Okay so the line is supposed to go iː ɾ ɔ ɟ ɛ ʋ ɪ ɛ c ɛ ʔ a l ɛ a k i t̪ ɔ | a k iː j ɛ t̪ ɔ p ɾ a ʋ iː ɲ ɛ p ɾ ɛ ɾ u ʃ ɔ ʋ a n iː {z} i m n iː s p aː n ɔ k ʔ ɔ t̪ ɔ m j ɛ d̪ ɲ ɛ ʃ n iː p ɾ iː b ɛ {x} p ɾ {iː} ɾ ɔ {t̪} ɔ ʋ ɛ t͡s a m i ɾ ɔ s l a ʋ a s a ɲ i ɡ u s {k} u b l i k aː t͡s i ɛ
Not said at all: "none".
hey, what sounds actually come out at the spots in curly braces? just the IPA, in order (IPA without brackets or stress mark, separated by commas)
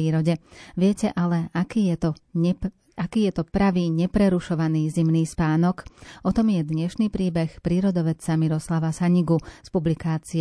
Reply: z, x, iː, d̪, p